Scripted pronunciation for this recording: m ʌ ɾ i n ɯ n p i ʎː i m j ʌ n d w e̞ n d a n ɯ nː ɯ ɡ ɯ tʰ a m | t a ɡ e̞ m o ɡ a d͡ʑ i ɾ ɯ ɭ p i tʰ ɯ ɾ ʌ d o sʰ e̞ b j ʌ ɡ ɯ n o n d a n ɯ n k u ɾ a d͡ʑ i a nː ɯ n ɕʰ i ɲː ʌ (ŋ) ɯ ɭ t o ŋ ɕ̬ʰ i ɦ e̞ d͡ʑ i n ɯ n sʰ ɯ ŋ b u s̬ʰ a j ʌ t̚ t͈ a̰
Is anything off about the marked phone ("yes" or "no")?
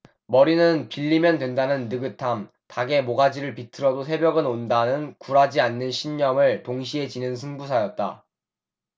yes